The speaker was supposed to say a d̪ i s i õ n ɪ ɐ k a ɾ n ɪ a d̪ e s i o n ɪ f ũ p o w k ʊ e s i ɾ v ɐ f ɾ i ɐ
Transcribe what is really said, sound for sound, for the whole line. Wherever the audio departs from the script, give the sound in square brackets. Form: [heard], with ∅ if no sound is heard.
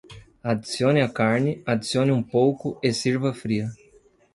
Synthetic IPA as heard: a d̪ i s i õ n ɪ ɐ k a ɾ n ɪ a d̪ [i] s i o n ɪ [∅] ũ p o w k ʊ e s i ɾ v ɐ f ɾ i ɐ